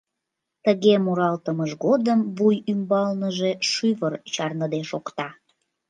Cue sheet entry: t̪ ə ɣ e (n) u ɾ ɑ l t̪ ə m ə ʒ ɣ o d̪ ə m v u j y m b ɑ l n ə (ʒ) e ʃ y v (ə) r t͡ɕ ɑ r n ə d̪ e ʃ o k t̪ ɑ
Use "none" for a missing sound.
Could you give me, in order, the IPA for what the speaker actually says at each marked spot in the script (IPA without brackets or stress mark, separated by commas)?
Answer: m, ʒ, ə